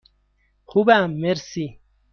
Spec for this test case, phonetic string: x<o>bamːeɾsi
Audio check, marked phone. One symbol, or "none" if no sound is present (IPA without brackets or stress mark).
u